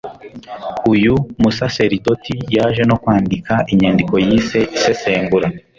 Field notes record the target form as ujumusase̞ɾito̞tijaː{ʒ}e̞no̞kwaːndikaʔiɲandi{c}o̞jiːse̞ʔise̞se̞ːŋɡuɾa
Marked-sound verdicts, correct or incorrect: correct, incorrect

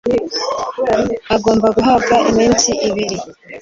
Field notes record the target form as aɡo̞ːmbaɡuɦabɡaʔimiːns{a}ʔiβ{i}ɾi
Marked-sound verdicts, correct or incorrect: incorrect, correct

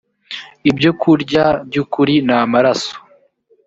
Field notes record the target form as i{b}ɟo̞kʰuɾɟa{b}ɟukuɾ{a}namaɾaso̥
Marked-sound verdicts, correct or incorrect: correct, correct, incorrect

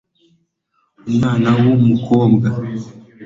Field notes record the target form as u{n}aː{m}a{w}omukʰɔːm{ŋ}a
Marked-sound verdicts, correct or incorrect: incorrect, incorrect, correct, incorrect

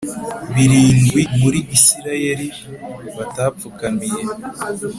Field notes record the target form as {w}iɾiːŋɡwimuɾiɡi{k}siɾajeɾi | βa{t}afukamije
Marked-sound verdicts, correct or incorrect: incorrect, incorrect, correct

